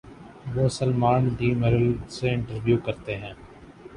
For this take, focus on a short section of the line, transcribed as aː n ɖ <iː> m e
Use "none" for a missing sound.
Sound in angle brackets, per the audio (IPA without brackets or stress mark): iː